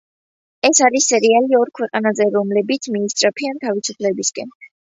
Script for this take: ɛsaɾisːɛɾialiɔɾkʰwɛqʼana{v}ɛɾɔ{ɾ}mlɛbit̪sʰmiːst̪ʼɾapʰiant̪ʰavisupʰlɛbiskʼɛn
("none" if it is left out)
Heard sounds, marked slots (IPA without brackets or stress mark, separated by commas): z, none